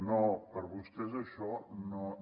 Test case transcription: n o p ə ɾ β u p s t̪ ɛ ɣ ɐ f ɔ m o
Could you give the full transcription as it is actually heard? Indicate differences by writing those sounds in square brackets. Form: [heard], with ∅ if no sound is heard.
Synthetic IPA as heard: n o p ə ɾ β u [∅] s t̪ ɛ [z] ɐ [ʃ] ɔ [n] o